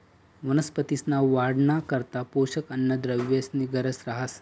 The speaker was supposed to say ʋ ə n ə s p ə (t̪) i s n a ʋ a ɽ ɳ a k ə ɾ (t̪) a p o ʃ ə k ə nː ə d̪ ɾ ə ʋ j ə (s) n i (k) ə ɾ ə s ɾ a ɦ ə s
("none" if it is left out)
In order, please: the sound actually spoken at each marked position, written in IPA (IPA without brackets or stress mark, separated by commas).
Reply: t̪, t̪, s, ɡ